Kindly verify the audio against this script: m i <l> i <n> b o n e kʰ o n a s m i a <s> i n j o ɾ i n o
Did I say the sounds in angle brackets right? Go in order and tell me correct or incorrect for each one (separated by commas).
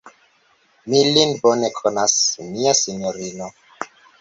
correct, correct, correct